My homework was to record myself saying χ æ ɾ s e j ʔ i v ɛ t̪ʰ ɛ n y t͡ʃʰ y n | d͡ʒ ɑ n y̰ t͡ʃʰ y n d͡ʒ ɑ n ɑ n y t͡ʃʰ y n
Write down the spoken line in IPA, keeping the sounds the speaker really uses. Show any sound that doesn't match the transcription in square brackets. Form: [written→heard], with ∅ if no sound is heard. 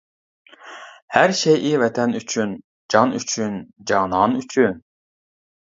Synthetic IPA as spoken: [χ→h] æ ɾ [s→ʃ] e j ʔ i v ɛ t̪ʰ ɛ n y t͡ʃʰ y n | d͡ʒ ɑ n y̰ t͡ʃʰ y n d͡ʒ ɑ n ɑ n y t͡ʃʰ y n

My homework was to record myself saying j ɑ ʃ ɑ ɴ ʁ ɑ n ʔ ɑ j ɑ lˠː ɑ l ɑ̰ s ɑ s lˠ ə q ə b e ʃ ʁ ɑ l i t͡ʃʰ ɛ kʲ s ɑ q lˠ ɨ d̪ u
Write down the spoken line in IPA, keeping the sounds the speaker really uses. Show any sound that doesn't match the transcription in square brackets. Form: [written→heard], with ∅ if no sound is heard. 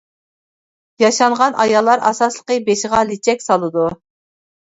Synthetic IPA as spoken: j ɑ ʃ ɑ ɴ ʁ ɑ n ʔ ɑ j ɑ lˠː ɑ [l→ɾ] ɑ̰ s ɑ s lˠ ə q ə b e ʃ ʁ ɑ l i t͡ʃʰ ɛ kʲ s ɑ [q→∅] lˠ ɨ d̪ u

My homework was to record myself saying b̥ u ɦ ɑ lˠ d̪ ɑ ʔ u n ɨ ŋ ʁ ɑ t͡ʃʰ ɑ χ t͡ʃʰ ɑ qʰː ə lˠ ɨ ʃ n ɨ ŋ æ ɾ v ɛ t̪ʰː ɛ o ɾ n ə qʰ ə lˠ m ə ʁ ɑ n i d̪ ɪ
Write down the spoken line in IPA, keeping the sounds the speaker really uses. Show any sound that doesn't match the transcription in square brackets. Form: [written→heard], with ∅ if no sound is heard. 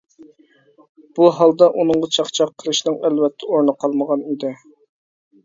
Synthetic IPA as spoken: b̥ u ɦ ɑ lˠ d̪ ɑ ʔ u n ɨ ŋ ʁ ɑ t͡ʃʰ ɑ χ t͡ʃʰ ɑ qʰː ə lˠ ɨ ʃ n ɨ ŋ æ [ɾ→l] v ɛ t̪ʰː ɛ o ɾ n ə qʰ [ə→ɑ] lˠ m ə ʁ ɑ n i d̪ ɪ

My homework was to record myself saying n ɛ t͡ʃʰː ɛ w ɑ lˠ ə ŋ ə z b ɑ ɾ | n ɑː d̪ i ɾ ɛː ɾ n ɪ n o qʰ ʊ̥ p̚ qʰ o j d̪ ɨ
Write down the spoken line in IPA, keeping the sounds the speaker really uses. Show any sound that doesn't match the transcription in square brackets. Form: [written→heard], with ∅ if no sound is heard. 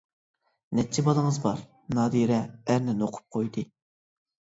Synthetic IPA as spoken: n ɛ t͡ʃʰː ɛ [w→b] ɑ lˠ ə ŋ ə z b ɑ ɾ | n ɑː d̪ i ɾ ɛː ɾ n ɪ n o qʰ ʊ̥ p̚ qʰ o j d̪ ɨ

